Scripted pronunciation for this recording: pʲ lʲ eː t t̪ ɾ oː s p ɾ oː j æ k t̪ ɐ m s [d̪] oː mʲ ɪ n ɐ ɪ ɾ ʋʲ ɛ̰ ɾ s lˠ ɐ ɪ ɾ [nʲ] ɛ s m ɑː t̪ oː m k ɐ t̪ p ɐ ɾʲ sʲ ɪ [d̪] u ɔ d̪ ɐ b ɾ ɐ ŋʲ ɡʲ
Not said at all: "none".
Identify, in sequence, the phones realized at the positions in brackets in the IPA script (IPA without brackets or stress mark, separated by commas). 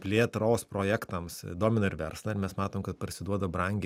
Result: d̪, mʲ, d̪